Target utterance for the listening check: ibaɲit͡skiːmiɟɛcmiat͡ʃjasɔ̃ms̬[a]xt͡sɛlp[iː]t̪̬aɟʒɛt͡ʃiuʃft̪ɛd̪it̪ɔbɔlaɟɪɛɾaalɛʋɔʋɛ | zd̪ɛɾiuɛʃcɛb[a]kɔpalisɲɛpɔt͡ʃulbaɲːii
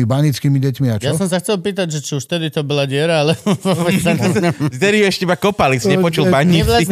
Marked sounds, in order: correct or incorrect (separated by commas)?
correct, correct, correct